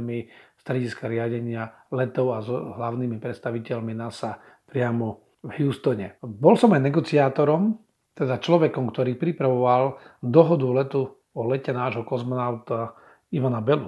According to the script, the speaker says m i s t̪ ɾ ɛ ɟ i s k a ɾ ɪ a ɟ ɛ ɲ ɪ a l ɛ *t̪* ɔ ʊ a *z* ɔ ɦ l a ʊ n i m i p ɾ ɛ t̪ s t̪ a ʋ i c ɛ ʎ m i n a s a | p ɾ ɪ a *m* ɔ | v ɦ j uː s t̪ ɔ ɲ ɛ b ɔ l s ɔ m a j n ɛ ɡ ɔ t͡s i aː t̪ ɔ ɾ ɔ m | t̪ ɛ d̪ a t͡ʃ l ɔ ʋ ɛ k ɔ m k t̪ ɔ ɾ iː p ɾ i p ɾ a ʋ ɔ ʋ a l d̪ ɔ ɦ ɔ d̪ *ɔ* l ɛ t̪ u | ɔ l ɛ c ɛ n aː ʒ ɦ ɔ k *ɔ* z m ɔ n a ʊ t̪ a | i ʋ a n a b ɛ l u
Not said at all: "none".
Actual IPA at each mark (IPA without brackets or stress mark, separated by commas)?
t̪, z, m, u, ɔ